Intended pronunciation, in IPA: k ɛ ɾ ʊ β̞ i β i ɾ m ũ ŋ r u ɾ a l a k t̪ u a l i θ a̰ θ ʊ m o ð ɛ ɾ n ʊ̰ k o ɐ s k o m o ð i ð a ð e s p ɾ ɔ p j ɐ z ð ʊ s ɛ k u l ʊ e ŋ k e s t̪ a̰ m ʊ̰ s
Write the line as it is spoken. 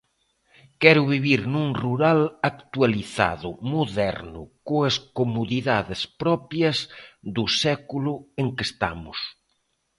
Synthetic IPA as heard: k ɛ ɾ ʊ β̞ i β i ɾ n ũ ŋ r u ɾ a l a k t̪ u a l i θ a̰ ð ʊ m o ð ɛ ɾ n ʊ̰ k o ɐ s k o m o ð i ð a ð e s p ɾ ɔ p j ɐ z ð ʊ s ɛ k u l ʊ e ŋ k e s t̪ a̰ m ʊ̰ s